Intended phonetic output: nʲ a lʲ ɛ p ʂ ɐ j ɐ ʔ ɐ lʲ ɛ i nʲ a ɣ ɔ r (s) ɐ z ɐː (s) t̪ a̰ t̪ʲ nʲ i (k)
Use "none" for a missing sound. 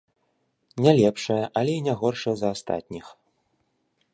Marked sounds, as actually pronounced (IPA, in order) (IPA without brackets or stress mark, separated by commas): ʂ, s, x